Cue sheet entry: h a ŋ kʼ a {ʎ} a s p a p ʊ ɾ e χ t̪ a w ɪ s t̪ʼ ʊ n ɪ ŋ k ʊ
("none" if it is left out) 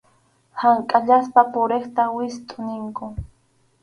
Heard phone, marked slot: ʎ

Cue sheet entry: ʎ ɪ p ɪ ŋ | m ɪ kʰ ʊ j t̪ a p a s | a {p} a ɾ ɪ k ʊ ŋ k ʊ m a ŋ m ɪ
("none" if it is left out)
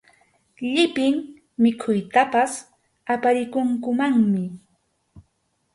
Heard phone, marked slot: p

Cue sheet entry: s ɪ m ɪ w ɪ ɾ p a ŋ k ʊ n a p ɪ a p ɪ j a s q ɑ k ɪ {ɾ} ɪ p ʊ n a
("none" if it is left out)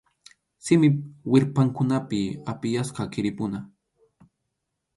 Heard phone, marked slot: ɾ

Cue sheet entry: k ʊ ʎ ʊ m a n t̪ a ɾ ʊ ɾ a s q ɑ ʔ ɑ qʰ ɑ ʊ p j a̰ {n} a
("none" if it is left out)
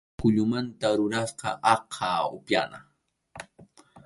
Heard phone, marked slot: n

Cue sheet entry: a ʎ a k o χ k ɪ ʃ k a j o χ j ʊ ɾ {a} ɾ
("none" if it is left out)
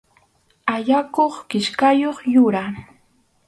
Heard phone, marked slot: a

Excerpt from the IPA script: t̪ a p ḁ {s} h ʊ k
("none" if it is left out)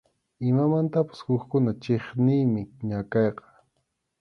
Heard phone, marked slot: s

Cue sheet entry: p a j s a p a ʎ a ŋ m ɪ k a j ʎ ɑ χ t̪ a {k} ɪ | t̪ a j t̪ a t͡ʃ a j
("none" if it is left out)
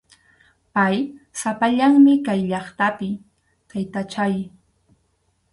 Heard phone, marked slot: p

